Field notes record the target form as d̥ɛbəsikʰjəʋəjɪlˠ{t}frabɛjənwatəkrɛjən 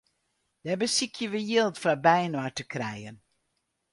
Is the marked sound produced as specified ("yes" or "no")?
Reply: yes